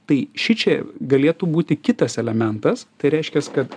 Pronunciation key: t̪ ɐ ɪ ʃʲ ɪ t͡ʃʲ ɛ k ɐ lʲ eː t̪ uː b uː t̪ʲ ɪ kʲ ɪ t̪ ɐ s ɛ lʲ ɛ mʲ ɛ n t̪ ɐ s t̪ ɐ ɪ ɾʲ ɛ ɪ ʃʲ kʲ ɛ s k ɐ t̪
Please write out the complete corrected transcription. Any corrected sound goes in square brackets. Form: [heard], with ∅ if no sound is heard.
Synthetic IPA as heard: t̪ ɐ ɪ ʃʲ ɪ t͡ʃʲ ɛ [ɡ] ɐ lʲ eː t̪ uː b uː t̪ʲ ɪ kʲ ɪ t̪ ɐ s ɛ lʲ ɛ mʲ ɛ n t̪ ɐ s t̪ ɐ ɪ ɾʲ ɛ ɪ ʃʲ kʲ ɛ s k ɐ t̪